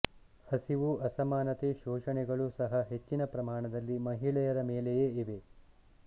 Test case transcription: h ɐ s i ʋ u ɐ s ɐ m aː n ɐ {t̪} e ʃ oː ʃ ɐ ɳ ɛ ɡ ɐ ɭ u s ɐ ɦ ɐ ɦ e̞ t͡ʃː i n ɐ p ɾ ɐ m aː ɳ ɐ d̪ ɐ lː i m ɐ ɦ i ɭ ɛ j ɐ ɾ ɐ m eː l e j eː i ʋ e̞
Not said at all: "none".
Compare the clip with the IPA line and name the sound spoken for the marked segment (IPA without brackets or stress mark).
t̪